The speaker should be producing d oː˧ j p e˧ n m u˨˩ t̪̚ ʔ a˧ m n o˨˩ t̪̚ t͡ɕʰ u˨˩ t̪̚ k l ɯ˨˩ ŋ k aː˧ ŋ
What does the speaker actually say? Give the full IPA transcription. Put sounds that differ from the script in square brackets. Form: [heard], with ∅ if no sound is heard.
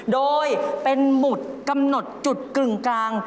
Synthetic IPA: d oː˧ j p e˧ n m u˨˩ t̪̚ [k] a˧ m n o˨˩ t̪̚ [t͡ɕ] u˨˩ t̪̚ k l ɯ˨˩ ŋ k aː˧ ŋ

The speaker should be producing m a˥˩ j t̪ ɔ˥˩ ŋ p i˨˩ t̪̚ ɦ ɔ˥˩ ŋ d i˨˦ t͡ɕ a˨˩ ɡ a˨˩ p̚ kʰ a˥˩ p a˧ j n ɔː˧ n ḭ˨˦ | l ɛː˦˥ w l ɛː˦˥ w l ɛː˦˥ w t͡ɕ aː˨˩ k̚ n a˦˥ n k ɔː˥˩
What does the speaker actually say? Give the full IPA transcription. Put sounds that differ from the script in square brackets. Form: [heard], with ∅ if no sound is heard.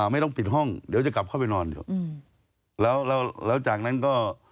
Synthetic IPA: m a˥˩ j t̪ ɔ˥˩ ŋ p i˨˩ t̪̚ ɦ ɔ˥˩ ŋ d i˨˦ t͡ɕ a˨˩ [k] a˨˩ p̚ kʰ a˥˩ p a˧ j n ɔː˧ n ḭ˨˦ | l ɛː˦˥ w l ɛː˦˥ w l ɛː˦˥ w t͡ɕ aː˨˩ k̚ n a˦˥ n k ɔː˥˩

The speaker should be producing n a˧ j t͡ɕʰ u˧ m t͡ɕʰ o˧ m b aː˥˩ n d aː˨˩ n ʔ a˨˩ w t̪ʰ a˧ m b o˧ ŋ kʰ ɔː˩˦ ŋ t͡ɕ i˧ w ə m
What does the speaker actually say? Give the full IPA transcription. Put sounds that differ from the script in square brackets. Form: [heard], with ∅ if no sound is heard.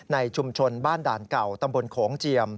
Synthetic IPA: n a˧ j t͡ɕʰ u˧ m t͡ɕʰ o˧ [n] b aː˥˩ n d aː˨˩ n [k] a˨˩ w [t̪] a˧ m b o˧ [n] kʰ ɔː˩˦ ŋ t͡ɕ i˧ [∅] ə m

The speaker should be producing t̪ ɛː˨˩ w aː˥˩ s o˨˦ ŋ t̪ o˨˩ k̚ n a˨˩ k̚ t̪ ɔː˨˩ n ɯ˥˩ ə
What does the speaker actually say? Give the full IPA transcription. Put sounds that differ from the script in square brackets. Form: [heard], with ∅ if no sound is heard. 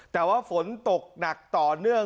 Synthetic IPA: t̪ ɛː˨˩ w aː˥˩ [f] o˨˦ [n] t̪ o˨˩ k̚ n a˨˩ k̚ t̪ ɔː˨˩ n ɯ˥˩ ə

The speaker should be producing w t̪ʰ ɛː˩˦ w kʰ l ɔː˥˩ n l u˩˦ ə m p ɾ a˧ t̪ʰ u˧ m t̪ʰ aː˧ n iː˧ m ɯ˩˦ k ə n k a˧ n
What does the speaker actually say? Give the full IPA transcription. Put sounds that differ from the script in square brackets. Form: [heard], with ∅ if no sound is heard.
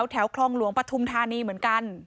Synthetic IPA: w t̪ʰ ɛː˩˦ w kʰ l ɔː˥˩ [ŋ] l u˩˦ ə [ŋ] p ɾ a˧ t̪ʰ u˧ m t̪ʰ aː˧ n iː˧ m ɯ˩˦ [∅] ə n k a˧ n

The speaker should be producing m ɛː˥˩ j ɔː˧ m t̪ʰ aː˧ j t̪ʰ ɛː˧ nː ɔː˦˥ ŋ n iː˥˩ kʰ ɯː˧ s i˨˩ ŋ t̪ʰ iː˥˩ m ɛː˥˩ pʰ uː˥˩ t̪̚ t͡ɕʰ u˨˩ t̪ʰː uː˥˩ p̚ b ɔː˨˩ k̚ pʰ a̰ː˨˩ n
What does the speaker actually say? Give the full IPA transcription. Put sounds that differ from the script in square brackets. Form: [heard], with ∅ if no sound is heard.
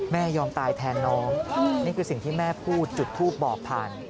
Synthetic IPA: m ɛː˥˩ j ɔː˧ m [t̪] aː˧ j t̪ʰ ɛː˧ nː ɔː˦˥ ŋ n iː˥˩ kʰ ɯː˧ s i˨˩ ŋ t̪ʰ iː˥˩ m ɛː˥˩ pʰ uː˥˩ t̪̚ [t͡ɕ] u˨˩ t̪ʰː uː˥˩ p̚ b ɔː˨˩ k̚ pʰ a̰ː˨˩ n

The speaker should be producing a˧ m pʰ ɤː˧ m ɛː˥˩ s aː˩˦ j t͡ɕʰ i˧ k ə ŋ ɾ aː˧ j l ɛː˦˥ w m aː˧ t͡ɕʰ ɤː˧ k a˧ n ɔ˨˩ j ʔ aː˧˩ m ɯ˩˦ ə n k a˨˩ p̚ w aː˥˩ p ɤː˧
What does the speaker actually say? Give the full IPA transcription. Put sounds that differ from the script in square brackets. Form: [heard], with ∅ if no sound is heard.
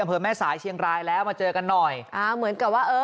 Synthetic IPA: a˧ m pʰ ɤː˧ m ɛː˥˩ s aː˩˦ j t͡ɕʰ i˧ [∅] ə ŋ ɾ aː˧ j l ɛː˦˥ w m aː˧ [t͡ɕ] ɤː˧ k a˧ [nː] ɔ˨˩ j ʔ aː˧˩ m ɯ˩˦ ə n k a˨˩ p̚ w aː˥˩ [ʔ] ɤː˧

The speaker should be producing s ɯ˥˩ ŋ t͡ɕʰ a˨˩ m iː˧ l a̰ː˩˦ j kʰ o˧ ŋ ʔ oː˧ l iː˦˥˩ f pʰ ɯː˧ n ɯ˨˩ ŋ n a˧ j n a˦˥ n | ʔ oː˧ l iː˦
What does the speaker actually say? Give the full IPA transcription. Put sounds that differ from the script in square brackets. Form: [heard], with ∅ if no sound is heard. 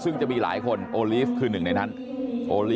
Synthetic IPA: s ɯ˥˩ ŋ [t͡ɕ] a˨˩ m iː˧ l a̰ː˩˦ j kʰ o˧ [n] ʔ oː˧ l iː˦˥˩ f [kʰ] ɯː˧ n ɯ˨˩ ŋ n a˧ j n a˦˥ n | ʔ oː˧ l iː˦

